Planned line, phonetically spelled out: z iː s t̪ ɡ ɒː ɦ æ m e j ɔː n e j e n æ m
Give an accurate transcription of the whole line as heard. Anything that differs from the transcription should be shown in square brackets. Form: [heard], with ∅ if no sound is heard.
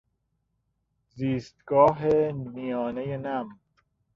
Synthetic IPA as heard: z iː s t̪ ɡ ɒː ɦ [e] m [i] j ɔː n e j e n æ m